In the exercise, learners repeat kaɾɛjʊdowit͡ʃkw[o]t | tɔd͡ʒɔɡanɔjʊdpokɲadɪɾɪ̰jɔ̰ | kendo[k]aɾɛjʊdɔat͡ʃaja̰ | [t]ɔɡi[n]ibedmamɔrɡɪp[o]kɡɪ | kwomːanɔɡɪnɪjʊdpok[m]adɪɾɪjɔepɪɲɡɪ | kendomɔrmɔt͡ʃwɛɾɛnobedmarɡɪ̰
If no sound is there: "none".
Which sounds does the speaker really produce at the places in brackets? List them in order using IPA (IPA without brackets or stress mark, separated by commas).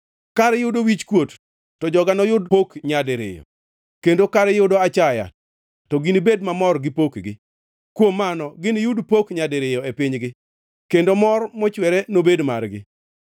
o, k, t, n, o, ɲ